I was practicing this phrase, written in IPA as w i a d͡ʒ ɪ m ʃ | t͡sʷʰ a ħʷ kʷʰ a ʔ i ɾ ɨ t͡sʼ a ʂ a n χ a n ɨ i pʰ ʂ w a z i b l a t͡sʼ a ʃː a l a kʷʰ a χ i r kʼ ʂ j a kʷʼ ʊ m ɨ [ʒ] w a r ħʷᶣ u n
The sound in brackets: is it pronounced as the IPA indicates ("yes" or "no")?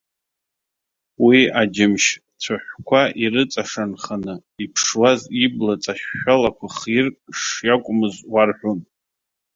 no